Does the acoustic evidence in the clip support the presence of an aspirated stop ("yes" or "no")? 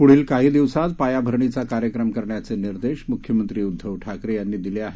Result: yes